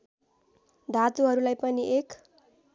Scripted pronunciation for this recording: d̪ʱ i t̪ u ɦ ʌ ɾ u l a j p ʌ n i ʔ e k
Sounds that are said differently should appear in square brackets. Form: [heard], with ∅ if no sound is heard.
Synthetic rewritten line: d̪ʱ [a] t̪ u ɦ ʌ ɾ u l a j p ʌ n i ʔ e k